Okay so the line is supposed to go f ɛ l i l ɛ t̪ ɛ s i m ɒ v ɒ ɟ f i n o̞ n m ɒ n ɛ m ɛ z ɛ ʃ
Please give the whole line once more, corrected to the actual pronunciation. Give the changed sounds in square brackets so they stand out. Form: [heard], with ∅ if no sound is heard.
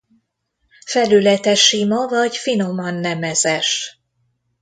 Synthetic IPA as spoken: f ɛ l [y] l ɛ t̪ ɛ [ʃ] i m ɒ v ɒ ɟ f i n o̞ [∅] m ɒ [nː] ɛ m ɛ z ɛ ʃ